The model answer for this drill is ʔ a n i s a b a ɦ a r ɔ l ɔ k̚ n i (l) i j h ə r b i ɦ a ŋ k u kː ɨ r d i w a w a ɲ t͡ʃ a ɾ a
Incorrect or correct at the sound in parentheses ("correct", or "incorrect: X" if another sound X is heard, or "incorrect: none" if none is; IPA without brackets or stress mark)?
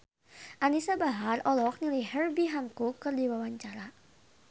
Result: correct